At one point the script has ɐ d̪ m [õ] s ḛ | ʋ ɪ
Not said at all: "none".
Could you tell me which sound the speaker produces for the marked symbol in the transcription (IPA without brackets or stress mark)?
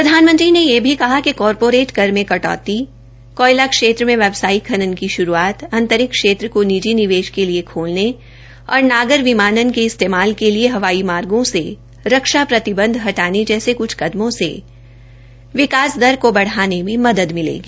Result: õ